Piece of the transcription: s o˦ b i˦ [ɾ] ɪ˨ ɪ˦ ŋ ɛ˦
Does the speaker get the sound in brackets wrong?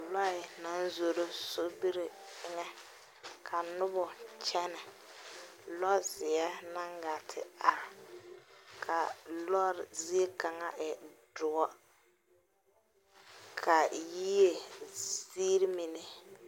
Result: no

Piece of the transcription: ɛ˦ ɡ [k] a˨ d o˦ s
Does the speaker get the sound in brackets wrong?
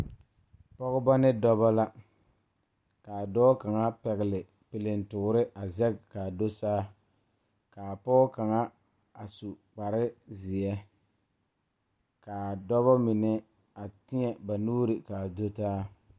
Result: no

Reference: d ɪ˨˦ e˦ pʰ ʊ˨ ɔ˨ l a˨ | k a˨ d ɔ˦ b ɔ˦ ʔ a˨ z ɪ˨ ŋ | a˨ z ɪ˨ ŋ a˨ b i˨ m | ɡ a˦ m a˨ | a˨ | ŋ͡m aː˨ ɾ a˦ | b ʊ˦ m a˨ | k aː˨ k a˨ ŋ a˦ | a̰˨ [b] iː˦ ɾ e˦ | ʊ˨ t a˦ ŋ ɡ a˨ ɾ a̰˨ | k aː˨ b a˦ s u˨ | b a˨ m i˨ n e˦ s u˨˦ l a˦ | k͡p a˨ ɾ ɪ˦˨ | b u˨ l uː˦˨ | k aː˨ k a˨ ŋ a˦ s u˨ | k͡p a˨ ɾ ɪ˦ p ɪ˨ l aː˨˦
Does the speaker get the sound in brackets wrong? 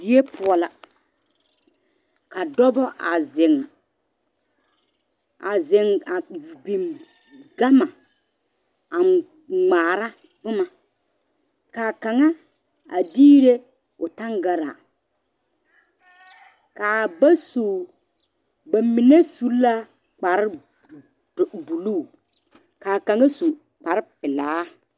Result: yes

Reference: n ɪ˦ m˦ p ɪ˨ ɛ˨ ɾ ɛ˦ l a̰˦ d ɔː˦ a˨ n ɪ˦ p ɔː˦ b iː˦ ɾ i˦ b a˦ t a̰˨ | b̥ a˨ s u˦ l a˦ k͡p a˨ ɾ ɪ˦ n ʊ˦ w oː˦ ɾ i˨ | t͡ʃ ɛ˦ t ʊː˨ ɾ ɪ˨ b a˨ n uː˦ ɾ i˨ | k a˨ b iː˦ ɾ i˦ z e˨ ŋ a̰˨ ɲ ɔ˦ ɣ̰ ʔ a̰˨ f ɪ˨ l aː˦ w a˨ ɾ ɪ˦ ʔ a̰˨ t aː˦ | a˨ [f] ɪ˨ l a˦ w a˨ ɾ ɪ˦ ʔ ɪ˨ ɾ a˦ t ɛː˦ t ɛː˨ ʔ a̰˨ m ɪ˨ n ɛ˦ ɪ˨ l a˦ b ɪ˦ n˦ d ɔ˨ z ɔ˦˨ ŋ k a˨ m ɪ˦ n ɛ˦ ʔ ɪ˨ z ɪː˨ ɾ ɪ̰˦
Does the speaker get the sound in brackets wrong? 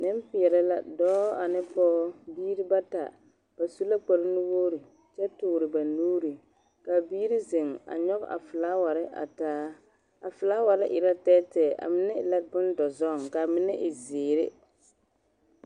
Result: no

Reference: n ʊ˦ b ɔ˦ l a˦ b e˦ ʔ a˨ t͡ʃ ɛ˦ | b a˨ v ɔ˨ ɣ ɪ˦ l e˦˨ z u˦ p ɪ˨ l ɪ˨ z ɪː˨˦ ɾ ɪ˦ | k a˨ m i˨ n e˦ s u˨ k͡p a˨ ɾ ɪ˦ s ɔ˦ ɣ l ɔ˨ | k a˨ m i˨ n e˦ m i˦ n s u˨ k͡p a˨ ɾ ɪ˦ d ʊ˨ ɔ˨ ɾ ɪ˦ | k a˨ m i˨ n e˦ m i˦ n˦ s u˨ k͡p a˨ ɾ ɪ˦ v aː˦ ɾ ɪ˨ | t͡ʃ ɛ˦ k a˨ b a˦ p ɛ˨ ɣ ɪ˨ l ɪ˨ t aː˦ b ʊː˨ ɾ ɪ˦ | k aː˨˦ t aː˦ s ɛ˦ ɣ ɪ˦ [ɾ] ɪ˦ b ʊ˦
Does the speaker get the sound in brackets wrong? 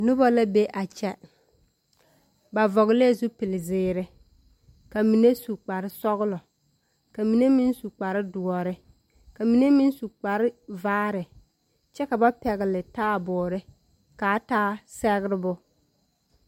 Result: no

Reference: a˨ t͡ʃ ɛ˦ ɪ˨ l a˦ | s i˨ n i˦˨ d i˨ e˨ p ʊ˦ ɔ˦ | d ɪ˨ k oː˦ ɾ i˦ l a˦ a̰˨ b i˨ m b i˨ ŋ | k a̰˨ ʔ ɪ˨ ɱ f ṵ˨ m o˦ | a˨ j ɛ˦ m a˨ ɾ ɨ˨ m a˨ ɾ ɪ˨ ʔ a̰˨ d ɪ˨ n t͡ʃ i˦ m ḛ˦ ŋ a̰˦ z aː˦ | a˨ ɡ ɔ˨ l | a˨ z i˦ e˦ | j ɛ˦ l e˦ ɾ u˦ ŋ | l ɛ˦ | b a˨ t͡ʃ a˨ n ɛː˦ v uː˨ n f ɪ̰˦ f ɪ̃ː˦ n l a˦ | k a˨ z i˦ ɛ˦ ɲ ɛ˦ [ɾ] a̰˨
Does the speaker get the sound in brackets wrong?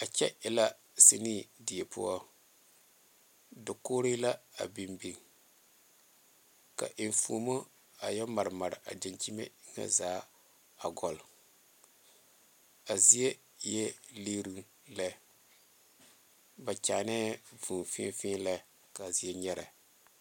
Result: no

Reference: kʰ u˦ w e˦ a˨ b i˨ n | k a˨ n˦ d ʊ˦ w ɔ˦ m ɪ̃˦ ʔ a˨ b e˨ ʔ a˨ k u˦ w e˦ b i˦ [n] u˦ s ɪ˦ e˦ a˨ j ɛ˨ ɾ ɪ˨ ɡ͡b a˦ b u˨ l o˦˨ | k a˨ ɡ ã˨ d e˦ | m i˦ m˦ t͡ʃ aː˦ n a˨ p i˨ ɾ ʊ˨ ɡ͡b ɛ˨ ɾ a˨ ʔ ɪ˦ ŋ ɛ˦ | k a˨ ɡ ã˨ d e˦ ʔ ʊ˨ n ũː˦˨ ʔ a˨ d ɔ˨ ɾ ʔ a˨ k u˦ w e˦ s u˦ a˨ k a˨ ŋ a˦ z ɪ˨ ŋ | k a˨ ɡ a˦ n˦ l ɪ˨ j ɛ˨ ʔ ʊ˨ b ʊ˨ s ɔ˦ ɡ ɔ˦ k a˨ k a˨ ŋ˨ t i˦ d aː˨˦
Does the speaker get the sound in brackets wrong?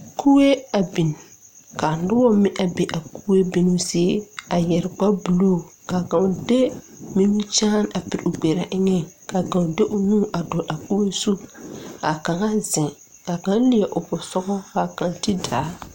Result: no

